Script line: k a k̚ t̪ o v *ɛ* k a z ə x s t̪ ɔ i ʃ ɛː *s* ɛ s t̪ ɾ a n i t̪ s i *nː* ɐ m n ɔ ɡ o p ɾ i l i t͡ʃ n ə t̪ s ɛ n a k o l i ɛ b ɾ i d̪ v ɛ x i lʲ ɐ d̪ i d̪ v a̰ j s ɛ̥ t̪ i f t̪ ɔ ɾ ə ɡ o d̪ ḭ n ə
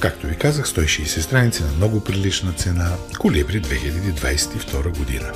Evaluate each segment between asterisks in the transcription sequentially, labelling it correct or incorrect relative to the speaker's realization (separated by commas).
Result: incorrect, correct, incorrect